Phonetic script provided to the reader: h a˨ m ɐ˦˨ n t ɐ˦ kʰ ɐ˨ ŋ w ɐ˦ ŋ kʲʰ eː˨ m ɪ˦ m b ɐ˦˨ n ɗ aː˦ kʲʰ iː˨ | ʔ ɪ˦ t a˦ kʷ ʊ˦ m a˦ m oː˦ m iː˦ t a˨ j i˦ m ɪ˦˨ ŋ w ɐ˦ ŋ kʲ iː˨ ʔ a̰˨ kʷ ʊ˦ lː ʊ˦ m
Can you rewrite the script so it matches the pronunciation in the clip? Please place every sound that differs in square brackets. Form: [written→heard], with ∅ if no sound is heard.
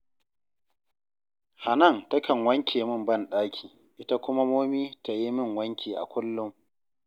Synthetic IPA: h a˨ [m→n] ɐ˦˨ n t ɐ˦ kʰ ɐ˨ ŋ w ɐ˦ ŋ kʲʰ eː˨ m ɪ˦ m b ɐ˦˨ n ɗ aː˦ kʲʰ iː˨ | ʔ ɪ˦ t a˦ kʷ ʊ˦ m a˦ m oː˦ m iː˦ t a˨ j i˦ m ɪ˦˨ ŋ w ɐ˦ ŋ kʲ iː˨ ʔ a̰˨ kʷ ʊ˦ lː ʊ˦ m